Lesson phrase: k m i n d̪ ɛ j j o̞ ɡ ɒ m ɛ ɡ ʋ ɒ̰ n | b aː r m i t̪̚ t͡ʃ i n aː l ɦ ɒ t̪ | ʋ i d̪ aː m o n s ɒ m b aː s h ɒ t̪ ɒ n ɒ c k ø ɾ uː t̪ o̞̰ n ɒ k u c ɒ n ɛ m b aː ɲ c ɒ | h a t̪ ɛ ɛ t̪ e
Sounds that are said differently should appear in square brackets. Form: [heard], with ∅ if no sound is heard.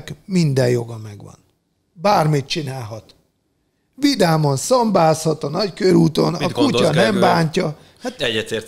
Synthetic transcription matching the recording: k m i n d̪ ɛ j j o̞ ɡ ɒ m ɛ ɡ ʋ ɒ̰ n | b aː r m i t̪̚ t͡ʃ i n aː l ɦ ɒ t̪ | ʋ i d̪ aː m o n s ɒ m b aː s h ɒ t̪ ɒ n ɒ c k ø ɾ uː t̪ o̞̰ n ɒ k u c ɒ n ɛ m b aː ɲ c ɒ | h a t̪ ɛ ɛ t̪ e